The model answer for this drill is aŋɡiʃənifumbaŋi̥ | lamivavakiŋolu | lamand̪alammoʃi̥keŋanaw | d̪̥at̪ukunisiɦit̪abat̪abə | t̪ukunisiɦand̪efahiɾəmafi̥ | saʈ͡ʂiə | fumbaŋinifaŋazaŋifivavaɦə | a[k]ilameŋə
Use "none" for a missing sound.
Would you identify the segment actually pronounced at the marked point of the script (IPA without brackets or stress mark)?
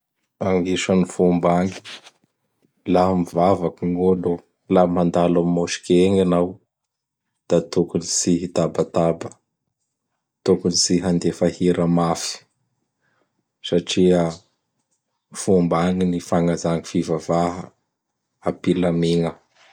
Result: p